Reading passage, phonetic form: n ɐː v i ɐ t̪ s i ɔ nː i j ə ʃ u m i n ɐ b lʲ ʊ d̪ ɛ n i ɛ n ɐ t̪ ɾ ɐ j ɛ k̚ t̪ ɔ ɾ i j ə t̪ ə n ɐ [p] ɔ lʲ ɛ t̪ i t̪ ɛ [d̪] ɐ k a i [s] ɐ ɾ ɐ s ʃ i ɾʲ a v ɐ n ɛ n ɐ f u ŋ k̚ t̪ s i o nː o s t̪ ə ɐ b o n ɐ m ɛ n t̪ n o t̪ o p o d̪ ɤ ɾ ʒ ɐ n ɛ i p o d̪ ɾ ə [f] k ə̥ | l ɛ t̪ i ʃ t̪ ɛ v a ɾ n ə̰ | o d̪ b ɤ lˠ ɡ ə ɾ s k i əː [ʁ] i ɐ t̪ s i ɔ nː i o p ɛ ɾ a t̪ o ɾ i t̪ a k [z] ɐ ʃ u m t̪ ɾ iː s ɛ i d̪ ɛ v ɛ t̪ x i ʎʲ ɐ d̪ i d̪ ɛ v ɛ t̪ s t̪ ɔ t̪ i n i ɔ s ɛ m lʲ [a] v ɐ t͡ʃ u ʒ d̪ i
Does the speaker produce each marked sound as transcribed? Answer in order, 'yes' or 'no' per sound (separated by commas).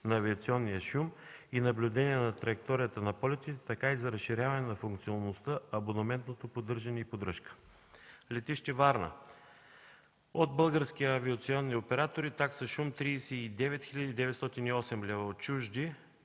yes, no, no, no, no, no, no